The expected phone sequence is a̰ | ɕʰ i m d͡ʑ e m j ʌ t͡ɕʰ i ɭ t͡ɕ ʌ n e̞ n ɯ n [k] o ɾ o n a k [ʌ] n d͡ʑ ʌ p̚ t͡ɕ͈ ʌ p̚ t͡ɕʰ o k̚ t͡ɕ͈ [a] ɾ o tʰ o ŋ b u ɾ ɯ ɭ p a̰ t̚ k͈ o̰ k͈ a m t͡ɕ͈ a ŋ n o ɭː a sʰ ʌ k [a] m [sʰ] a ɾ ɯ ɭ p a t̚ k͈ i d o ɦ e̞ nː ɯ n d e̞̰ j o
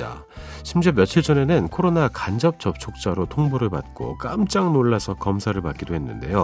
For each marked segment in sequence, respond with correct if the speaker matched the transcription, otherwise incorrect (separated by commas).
incorrect, incorrect, correct, incorrect, correct